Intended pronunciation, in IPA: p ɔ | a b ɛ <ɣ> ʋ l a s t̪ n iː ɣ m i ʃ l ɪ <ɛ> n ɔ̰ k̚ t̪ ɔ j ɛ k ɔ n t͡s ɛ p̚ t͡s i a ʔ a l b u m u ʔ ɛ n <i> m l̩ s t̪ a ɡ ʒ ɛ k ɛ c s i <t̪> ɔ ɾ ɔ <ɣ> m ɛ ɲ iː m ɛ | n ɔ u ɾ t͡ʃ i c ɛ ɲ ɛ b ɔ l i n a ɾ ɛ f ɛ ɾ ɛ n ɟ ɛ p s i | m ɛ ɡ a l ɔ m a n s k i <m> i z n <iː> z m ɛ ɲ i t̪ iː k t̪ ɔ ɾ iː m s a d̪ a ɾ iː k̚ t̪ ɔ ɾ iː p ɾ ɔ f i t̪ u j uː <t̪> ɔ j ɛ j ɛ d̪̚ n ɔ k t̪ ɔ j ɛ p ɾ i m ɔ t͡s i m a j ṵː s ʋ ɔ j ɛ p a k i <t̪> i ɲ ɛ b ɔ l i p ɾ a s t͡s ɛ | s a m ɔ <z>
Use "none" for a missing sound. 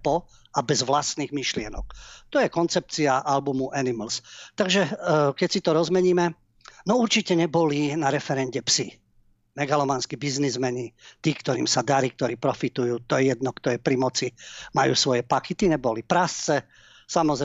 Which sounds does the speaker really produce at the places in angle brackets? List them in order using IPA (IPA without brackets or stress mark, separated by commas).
z, ɛ, i, t̪, z, b, i, t̪, t̪, z